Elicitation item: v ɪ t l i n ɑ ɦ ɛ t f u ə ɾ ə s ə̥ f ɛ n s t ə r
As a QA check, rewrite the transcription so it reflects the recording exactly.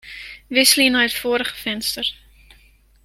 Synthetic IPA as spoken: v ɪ s l i n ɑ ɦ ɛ t f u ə ɾ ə χ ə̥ f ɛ n s t ə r